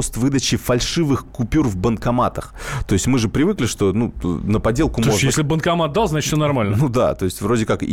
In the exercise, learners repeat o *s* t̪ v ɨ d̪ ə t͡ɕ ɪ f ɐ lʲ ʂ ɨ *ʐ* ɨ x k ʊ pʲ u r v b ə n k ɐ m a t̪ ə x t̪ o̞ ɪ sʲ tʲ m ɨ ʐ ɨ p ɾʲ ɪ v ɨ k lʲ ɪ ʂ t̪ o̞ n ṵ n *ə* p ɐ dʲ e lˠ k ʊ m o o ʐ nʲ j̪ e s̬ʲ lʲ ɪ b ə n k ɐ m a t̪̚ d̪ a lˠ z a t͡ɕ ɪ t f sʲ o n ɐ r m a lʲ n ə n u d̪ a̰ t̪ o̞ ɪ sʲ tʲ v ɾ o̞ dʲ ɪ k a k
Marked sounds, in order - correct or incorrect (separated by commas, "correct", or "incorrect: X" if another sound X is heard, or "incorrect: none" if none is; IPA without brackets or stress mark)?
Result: correct, incorrect: v, correct